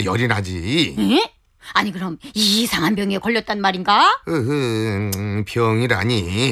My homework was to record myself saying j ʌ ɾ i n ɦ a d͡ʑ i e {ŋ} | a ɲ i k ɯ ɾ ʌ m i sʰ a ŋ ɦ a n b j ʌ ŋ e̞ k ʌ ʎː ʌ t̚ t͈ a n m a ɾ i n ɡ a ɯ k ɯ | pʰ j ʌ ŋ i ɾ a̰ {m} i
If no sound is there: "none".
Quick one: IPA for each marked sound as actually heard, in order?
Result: none, ɲ

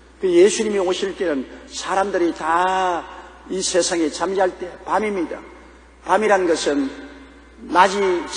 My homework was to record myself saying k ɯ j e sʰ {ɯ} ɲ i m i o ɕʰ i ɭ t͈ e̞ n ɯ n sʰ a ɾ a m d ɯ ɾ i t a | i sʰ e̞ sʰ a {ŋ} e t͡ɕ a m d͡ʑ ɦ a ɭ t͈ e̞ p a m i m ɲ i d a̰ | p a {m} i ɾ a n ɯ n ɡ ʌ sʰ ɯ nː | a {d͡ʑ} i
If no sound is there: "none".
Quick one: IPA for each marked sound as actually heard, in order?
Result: u, ŋ, m, d͡ʑ

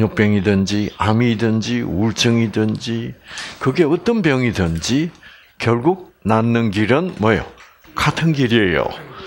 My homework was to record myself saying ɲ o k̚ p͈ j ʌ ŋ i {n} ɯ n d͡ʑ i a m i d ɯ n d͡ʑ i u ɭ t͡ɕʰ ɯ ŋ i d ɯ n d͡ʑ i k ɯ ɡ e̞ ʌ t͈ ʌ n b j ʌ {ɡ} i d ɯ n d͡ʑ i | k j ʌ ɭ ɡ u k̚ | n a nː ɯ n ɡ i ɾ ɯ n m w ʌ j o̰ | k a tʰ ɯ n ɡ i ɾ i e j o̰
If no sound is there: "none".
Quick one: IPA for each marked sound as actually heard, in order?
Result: d, ŋ

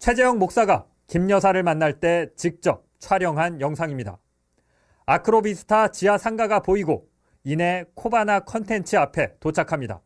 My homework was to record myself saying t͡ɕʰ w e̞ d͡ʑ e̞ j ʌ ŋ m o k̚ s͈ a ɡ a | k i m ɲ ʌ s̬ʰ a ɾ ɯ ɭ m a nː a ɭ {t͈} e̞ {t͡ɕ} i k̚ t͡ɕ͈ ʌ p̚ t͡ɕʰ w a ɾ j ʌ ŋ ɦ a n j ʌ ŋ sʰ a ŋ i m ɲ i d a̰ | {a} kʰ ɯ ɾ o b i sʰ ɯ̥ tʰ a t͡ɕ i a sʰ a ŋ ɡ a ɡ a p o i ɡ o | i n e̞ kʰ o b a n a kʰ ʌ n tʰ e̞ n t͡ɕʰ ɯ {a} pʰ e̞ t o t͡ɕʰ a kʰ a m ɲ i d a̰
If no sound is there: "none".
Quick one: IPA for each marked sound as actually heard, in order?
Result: t͈, t͡ɕ, a, a

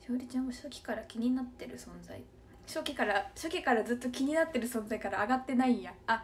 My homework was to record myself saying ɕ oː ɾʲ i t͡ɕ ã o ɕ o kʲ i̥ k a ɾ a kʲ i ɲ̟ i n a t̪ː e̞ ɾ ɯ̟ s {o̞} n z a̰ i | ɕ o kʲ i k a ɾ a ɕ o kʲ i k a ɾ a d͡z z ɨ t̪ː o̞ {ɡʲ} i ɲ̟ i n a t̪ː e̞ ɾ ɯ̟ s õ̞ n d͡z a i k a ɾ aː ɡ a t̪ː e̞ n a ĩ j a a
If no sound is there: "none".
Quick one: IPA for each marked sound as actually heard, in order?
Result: õ̞, kʲ

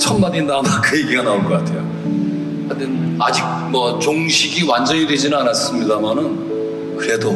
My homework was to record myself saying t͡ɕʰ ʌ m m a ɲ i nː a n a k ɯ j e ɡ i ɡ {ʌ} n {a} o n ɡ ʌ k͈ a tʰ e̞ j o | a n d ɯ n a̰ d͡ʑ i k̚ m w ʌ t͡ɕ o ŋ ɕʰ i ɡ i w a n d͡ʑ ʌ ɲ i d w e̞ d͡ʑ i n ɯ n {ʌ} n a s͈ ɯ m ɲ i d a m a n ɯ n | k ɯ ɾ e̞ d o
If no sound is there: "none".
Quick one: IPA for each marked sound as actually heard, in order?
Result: a, a, a

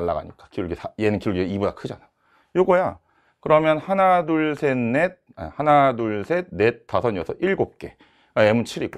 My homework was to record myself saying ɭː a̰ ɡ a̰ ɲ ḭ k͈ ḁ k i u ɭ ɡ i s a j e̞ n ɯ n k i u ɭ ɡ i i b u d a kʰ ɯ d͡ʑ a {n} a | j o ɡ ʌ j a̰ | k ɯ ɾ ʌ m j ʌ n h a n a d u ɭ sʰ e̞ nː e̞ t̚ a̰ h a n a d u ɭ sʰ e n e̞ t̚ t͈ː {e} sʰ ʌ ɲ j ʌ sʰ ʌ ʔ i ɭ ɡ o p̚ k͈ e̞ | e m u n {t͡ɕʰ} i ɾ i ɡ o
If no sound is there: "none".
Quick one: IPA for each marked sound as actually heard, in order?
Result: n, a, t͡ɕʰ

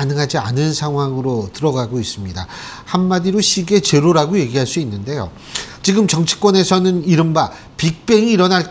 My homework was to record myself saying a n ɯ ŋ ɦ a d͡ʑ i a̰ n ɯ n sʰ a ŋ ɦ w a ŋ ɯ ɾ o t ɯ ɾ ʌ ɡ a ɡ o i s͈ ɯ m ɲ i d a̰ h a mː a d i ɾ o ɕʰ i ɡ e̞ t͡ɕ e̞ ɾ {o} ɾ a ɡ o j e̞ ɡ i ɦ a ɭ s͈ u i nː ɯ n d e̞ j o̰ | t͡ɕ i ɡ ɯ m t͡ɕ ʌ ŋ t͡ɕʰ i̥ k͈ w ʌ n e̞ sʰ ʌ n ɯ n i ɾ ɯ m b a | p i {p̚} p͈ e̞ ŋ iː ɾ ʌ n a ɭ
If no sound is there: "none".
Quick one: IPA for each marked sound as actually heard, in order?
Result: o, k̚

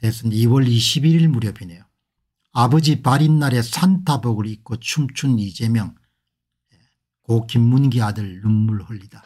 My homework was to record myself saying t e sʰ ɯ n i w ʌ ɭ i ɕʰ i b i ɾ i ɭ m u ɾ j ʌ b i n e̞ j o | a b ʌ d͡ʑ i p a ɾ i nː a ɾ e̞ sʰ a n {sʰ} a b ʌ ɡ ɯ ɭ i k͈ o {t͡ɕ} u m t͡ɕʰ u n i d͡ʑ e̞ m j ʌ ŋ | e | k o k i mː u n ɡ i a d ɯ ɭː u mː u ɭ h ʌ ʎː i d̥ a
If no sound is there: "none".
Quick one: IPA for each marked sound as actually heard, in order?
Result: tʰ, t͡ɕʰ

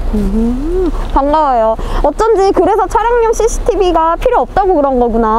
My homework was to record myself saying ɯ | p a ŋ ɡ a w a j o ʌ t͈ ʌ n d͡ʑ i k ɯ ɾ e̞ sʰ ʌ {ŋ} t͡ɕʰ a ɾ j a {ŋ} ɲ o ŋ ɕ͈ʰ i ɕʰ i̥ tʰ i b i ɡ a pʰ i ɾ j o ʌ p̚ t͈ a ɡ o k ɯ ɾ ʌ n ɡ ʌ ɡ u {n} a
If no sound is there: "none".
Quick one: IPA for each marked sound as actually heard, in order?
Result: none, ŋ, n

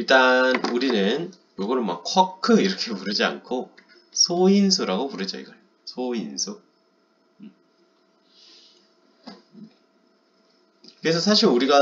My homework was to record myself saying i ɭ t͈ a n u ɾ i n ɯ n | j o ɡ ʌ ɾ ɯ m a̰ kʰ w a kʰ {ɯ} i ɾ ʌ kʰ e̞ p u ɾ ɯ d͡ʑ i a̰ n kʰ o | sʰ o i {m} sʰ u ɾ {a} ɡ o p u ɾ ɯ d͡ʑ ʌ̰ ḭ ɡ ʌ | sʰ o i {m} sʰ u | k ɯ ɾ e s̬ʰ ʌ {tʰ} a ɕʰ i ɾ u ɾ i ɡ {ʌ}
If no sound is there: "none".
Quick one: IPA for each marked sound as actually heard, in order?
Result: ɯ, n, a, n, sʰ, a

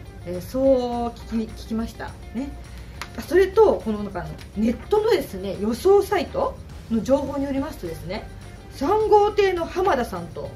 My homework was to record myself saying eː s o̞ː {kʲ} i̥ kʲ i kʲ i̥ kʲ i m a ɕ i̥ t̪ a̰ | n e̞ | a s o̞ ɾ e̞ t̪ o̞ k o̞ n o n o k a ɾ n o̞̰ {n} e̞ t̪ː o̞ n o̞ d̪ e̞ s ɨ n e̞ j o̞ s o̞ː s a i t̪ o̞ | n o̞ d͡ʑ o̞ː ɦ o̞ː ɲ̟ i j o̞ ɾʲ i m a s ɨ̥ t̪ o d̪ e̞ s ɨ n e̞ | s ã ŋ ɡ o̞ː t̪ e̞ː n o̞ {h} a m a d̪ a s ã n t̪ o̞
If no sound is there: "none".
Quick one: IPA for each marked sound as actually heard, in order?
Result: kʲ, n, h

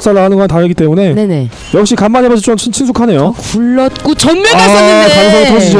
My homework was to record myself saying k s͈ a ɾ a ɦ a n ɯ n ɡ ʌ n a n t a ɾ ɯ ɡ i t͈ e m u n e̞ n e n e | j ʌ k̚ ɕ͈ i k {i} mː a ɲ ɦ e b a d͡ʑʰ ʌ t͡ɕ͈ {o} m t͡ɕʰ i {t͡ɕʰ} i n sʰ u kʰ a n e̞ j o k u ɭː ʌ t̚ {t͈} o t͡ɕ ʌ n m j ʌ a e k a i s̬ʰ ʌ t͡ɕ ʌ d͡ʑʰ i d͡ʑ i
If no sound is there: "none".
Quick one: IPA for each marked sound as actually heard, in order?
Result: a, o, t͡ɕʰ, k͈

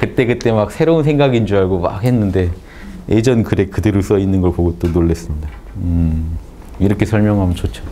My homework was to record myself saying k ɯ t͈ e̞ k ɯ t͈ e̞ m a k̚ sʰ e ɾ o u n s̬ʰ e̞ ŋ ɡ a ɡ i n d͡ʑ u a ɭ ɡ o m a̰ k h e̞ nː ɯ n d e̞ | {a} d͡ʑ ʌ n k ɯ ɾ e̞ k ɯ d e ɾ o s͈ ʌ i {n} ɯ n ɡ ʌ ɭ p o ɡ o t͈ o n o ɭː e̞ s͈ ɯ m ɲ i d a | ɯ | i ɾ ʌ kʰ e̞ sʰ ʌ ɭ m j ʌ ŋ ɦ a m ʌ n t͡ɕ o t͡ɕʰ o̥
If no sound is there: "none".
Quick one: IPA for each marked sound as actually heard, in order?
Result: e, nː

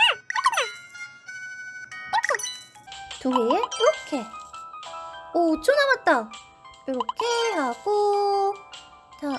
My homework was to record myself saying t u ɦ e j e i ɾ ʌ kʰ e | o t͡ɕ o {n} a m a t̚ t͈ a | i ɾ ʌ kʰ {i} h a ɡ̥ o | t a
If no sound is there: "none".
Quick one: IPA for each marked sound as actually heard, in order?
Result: n, e

